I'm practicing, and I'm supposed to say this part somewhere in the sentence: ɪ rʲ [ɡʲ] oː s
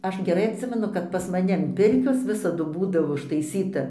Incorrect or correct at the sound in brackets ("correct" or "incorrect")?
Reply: incorrect